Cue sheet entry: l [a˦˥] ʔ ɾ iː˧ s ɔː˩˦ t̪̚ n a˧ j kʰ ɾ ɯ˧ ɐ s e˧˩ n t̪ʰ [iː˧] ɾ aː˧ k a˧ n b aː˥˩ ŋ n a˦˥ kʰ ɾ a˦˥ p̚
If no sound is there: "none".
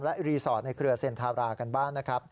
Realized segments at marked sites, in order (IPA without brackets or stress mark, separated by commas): ɛ˦˥, aː˧